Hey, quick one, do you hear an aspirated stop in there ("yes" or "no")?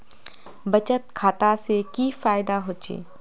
yes